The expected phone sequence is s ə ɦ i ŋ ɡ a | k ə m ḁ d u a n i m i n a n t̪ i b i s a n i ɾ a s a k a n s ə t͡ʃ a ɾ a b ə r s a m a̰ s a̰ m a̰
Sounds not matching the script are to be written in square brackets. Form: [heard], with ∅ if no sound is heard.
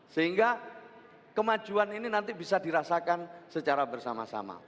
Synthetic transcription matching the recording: s ə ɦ i ŋ ɡ a | k ə m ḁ [d͡ʒ] u a n i [n] i n a n t̪ i b i s a [d] i ɾ a s a k a n s ə t͡ʃ a ɾ a b ə r s a m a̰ s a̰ m a̰